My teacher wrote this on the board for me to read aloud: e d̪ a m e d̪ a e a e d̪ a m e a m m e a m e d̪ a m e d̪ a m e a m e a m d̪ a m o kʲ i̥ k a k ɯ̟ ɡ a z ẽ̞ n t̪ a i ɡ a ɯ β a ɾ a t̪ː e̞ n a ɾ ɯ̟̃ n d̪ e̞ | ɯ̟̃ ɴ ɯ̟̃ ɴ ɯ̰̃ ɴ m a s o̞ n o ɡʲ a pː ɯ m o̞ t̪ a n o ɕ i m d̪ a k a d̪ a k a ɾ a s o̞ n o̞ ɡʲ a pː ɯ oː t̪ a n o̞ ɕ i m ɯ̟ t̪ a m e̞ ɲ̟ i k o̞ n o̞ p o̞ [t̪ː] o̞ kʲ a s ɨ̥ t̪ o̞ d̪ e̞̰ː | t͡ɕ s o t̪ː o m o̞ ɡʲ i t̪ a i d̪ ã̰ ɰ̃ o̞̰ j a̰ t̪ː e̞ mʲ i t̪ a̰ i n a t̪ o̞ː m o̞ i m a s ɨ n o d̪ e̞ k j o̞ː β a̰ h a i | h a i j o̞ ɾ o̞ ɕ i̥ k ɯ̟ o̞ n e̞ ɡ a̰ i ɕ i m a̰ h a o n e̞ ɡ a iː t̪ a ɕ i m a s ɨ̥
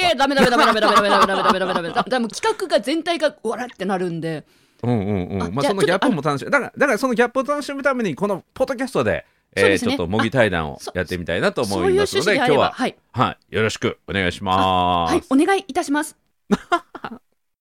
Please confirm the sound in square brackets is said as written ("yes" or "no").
no